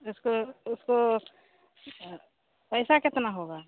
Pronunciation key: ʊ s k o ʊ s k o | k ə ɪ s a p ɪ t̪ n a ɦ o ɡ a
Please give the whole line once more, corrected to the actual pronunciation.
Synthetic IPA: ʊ s k o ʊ s k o | p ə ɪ s a k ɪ t̪ n a ɦ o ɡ a